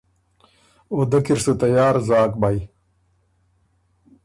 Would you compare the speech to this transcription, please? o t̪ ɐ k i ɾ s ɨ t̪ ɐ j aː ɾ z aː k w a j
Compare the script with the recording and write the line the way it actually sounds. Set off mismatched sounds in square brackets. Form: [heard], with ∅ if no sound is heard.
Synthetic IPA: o [d̪] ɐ k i ɾ s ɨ t̪ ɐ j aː ɾ z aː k [b] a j